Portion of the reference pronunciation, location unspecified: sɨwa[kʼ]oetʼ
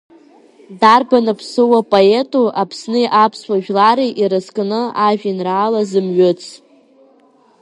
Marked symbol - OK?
no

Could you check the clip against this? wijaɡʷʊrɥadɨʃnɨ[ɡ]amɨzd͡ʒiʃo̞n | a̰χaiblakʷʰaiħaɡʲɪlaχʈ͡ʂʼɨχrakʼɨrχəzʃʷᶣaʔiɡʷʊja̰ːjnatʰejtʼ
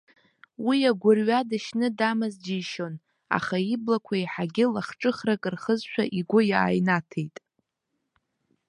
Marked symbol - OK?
no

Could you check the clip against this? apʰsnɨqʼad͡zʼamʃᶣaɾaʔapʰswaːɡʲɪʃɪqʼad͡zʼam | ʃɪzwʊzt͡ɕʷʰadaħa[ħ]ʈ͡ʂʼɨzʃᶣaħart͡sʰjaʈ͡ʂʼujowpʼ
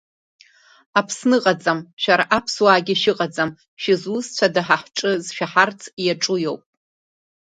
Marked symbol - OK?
yes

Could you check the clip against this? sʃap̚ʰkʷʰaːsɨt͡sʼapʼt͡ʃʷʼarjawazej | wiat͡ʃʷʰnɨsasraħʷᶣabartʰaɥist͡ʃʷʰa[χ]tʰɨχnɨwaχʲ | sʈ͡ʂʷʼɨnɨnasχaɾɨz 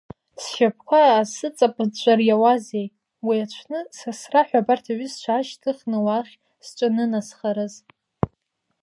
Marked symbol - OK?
no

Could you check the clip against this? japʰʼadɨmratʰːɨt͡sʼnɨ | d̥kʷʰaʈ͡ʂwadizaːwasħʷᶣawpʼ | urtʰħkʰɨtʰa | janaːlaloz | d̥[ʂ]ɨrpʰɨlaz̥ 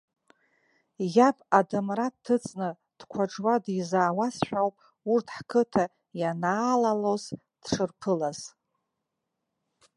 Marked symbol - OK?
yes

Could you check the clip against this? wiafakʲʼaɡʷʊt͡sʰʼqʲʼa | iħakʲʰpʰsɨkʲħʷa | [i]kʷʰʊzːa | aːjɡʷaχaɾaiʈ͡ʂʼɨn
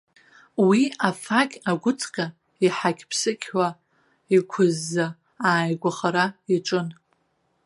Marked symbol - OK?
yes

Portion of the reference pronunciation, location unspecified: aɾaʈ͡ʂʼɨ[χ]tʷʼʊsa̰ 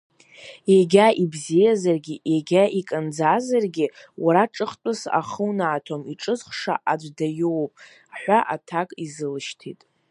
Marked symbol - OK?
yes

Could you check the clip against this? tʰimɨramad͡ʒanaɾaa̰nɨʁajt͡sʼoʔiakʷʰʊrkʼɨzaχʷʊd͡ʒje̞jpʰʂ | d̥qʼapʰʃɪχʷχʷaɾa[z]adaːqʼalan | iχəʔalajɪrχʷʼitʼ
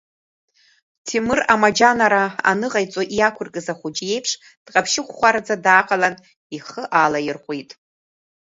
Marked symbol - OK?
no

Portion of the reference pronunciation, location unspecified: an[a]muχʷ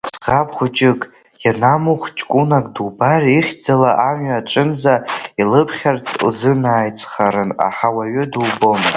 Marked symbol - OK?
yes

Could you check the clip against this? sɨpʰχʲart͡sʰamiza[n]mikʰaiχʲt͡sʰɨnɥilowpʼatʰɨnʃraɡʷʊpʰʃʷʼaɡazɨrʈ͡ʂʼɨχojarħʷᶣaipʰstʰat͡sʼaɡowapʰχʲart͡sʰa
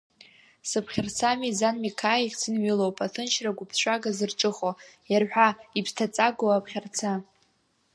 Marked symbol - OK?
yes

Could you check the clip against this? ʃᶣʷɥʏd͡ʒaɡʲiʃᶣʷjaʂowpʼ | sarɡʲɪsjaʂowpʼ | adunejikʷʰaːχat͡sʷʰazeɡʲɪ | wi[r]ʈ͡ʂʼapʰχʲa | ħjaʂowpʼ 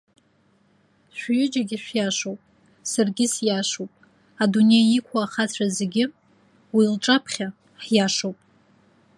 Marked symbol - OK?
no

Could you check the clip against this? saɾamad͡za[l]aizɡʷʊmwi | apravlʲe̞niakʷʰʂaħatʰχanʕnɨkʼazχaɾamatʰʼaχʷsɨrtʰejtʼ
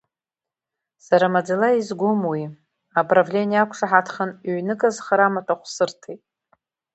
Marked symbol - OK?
yes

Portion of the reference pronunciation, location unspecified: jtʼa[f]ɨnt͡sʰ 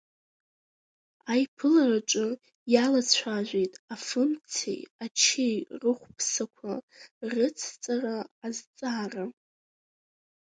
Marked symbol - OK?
yes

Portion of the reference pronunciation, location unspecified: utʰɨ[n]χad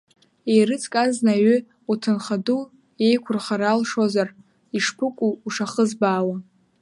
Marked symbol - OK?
yes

